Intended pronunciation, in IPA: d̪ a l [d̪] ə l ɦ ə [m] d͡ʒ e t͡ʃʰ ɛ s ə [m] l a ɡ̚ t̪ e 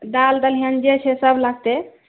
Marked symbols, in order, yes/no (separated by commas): yes, no, no